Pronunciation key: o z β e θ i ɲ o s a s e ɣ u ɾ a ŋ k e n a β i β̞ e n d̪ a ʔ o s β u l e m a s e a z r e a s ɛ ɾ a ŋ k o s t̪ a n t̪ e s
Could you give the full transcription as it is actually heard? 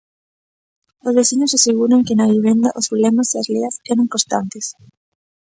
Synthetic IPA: o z β e θ i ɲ o s a s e ɣ u ɾ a ŋ k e n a β i β̞ e n d̪ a ʔ o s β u l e m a s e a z l e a s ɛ ɾ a ŋ k o s t̪ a n t̪ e s